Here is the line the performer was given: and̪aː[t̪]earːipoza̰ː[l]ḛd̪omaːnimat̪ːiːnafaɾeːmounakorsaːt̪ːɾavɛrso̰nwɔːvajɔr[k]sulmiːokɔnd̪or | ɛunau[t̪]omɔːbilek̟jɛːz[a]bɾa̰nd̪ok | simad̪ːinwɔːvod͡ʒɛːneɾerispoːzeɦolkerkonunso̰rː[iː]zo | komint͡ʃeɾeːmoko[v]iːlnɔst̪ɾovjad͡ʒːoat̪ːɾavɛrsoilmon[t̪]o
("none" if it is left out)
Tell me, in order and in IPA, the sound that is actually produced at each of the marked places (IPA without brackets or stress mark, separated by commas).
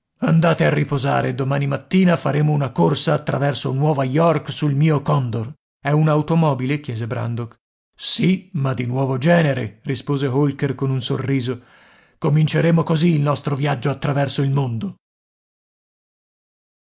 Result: t̪, ɾ, k, t̪, e, iː, z, d̪